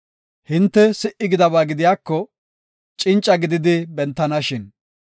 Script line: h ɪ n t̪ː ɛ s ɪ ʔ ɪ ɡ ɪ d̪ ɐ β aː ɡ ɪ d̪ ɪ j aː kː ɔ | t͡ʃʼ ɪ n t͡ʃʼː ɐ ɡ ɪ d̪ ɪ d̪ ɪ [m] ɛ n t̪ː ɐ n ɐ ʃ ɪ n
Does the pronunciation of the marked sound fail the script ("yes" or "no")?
yes